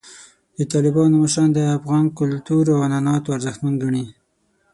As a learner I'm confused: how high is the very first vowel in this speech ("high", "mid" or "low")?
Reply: mid